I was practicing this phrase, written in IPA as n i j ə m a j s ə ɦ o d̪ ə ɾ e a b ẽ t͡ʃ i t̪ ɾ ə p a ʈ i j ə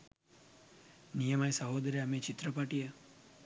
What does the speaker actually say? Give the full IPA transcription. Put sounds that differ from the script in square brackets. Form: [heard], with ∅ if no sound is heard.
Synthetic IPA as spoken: n i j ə m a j s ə ɦ o d̪ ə ɾ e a [m] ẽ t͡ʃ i t̪ ɾ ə p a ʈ i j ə